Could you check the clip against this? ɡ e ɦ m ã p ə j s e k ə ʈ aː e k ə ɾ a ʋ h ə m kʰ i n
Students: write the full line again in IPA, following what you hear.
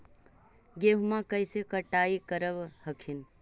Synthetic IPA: ɡ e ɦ m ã k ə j s e k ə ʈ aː i k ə ɾ ə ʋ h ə kʰ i n